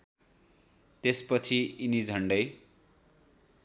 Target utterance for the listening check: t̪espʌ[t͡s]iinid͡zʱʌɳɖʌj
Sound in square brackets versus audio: incorrect: t͡sʰ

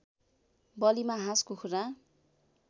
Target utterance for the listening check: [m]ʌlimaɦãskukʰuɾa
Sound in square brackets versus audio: incorrect: b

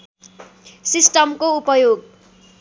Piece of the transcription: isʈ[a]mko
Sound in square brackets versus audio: incorrect: ʌ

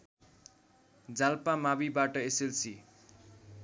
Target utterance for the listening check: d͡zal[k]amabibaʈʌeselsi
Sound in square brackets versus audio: incorrect: p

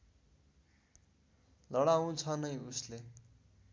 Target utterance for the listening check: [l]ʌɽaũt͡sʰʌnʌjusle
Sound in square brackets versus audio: correct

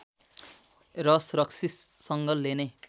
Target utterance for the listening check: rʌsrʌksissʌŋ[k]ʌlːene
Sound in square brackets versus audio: incorrect: ɡ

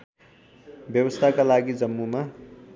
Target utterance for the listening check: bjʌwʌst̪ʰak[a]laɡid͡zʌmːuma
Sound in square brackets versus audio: correct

